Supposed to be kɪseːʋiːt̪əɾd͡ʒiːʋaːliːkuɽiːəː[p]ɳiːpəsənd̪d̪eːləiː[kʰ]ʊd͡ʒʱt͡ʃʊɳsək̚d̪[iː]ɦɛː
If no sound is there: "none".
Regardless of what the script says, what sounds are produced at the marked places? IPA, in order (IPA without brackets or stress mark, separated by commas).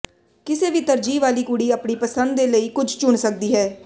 p, k, iː